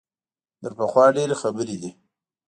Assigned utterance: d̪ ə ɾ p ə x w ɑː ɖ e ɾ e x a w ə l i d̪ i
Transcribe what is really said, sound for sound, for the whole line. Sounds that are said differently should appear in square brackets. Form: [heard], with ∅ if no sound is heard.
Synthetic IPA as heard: d̪ ə ɾ p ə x w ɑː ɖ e ɾ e x a [b] ə [ɾ] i d̪ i